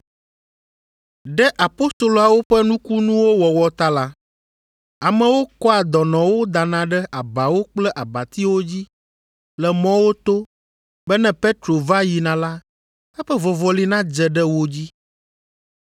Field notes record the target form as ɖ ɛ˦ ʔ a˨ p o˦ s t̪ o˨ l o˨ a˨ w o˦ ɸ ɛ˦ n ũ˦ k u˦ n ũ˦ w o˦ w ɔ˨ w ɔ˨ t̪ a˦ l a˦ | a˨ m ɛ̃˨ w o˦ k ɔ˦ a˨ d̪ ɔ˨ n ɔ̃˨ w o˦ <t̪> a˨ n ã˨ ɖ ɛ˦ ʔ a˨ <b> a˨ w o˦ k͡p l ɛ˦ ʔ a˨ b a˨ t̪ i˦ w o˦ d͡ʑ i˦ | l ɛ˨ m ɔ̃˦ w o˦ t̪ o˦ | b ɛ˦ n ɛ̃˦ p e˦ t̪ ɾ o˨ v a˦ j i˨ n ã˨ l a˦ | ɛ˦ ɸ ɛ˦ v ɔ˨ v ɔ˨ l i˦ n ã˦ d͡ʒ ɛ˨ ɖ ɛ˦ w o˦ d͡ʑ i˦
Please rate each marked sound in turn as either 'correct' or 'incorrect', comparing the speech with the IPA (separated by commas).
incorrect, correct